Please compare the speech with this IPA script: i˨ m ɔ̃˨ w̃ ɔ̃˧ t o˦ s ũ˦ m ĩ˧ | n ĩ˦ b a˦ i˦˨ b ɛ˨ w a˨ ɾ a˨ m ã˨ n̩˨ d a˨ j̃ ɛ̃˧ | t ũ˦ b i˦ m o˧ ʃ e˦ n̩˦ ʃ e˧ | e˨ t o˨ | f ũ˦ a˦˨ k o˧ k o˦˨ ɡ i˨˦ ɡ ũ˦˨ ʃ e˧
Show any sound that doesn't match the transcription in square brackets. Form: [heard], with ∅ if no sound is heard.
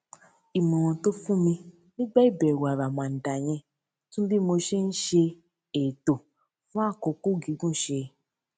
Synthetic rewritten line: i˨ m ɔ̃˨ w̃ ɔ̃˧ t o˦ [f] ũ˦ m ĩ˧ | n ĩ˦ [ɡ͡b] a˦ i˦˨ b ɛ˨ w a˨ ɾ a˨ m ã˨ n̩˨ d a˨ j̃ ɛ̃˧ | t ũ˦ b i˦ m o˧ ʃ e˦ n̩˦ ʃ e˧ | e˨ t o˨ | f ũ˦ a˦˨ k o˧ k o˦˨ ɡ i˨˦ ɡ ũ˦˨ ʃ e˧